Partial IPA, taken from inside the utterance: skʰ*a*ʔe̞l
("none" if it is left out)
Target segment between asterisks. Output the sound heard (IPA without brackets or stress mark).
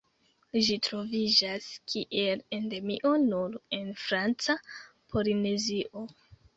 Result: i